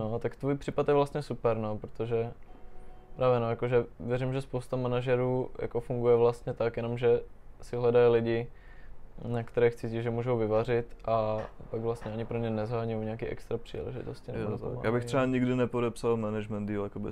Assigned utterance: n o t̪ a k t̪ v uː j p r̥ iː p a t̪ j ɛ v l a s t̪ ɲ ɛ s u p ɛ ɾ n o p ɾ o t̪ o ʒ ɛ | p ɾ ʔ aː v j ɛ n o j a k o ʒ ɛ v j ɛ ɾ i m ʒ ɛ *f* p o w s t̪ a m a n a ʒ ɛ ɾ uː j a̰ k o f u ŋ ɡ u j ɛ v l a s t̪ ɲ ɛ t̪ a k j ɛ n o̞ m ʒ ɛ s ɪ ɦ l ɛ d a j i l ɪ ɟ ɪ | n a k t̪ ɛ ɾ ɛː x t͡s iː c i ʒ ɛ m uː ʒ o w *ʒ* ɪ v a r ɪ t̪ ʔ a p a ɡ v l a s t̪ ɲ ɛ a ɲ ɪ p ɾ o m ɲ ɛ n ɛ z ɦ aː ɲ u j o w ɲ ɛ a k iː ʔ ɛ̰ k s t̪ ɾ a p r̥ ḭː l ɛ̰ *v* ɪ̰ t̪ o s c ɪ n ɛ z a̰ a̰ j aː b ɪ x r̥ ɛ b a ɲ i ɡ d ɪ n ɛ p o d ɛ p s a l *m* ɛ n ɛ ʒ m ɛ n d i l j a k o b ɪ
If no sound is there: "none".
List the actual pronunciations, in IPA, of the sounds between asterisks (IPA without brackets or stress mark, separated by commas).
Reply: s, v, ʒ, m